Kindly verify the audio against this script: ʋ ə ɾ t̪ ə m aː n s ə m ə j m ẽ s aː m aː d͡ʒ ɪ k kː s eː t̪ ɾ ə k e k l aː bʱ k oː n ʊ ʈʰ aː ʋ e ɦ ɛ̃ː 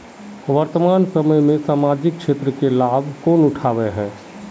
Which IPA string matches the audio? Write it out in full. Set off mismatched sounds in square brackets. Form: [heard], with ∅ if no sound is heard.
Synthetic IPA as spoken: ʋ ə ɾ t̪ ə m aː n s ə m ə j m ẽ s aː m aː d͡ʒ ɪ k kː [ʃ] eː t̪ ɾ ə k e [∅] l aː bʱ k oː n ʊ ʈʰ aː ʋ e ɦ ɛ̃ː